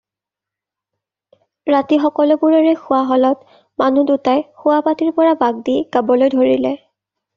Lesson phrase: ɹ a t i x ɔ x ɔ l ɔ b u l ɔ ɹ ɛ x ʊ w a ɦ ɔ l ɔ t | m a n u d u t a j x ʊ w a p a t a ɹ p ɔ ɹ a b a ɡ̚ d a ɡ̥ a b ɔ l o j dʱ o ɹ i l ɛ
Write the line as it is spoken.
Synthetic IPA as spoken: ɹ a t i x ɔ k ɔ l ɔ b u ɹ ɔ ɹ ɛ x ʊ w a ɦ ɔ l ɔ t | m a n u d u t a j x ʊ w a p a t i ɹ p ɔ ɹ a b a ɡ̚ d i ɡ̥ a b ɔ l o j dʱ o ɹ i l ɛ